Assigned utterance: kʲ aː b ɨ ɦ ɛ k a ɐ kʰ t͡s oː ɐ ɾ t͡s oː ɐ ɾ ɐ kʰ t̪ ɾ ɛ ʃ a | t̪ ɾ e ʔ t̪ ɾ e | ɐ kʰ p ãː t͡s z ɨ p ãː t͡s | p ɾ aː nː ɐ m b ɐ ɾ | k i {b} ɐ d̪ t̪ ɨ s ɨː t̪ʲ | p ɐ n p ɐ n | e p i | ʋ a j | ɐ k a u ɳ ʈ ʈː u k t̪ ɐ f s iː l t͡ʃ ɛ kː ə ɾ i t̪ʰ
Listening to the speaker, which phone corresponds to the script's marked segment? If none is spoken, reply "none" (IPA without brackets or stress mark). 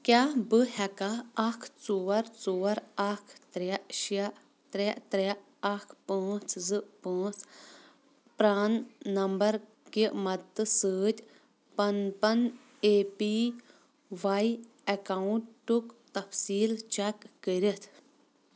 m